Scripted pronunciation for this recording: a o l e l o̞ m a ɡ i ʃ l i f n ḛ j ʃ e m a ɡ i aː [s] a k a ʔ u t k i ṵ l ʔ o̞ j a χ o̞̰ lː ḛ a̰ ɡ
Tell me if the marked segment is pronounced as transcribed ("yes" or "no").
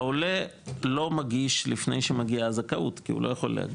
no